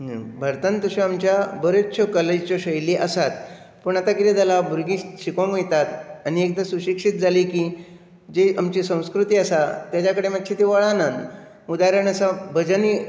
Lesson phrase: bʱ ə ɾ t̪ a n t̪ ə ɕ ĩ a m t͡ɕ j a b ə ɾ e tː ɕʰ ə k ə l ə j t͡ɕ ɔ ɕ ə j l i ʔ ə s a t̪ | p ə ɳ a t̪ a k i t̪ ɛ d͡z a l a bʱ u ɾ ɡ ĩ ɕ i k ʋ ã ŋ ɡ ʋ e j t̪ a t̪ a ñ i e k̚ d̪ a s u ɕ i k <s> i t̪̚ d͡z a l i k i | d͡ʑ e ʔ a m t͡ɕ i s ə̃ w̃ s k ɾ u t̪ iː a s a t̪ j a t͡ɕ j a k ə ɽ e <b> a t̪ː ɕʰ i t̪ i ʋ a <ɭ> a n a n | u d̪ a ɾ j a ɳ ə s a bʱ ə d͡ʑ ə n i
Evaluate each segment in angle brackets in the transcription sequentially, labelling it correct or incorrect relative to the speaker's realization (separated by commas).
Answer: incorrect, incorrect, correct